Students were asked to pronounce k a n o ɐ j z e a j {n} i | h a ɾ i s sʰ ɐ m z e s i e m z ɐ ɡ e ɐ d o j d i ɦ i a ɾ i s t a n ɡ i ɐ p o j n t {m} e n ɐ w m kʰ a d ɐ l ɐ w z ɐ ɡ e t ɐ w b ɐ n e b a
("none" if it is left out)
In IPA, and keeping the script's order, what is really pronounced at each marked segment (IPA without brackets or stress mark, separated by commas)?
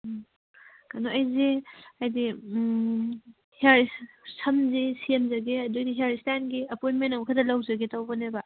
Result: d, m